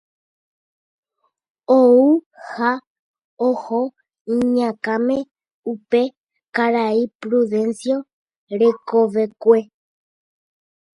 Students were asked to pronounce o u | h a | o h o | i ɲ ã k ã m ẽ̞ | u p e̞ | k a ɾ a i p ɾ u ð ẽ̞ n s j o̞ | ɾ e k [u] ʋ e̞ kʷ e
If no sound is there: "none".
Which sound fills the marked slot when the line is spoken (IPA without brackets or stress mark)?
o